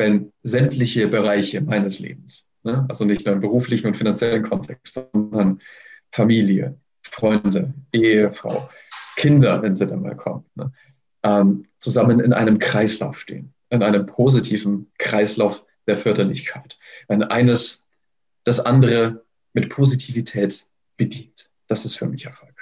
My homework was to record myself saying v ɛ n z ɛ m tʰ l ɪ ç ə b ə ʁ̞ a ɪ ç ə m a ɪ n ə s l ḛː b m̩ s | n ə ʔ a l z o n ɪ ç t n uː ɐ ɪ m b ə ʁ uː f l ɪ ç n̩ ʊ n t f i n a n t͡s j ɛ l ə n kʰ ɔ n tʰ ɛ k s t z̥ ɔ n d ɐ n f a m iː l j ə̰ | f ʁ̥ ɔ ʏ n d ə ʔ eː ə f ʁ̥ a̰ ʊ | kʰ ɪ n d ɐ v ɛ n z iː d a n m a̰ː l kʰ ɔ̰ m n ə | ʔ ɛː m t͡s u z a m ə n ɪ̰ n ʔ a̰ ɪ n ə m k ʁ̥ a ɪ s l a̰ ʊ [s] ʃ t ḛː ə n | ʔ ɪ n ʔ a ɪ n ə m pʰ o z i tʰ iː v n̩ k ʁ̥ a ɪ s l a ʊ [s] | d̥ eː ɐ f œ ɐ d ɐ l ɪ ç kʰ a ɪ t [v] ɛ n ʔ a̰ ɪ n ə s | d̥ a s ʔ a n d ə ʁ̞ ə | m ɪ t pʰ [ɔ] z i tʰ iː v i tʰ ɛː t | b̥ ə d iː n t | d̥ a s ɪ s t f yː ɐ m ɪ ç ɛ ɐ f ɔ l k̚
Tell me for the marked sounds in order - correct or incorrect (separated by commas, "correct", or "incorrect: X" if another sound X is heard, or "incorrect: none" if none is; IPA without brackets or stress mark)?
incorrect: f, incorrect: f, correct, incorrect: o